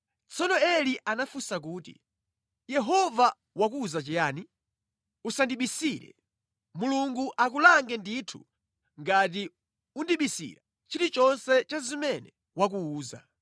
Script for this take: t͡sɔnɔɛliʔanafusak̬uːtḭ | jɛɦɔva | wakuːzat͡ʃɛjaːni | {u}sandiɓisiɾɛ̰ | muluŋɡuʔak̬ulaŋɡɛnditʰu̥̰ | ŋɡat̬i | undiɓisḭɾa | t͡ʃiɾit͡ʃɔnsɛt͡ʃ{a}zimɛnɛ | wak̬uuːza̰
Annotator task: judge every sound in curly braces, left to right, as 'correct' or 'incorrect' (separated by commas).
correct, correct